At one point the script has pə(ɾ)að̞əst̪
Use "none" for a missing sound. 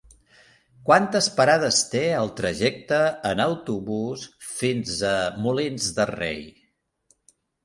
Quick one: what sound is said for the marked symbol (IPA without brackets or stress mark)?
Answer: ɾ